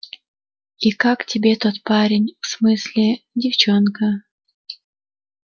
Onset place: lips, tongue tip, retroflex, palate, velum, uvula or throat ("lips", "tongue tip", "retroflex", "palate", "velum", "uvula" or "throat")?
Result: velum